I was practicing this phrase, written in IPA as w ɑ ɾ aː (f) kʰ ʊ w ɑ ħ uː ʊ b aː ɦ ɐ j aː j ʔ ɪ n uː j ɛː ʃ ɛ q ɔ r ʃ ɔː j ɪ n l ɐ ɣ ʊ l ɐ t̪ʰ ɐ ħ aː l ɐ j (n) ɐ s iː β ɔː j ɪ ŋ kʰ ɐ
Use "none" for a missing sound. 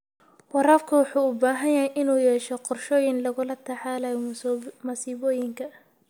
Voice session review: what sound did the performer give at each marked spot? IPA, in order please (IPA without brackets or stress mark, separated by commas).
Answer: f, m